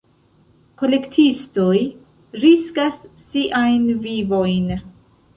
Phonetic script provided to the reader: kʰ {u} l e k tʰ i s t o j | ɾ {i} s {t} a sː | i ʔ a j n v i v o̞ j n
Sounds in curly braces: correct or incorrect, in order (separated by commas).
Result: incorrect, correct, incorrect